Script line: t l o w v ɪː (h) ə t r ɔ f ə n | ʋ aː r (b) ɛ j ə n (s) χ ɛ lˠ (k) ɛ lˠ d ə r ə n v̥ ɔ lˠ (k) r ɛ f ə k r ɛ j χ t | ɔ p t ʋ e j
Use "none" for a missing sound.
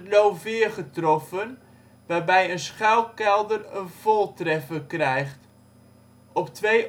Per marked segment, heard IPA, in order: χ, b, s, k, t

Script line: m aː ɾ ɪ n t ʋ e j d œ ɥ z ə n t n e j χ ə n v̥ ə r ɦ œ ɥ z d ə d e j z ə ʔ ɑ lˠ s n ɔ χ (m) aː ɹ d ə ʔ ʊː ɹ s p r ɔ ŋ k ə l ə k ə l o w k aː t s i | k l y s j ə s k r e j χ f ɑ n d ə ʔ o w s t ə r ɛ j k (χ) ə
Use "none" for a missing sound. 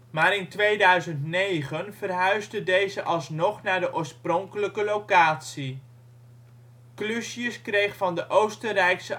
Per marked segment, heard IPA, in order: n, s

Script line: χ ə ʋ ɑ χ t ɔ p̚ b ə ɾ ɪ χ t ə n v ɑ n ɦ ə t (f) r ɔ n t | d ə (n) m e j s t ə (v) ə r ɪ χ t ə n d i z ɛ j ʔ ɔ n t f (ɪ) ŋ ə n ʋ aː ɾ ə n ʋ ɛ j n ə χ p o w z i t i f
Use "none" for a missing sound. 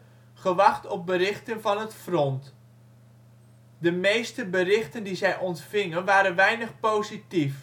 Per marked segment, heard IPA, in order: f, none, b, ɪ

